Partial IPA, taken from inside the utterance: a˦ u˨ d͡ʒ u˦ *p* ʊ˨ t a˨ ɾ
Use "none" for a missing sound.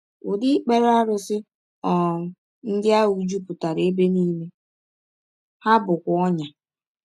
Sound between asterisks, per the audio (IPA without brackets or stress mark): p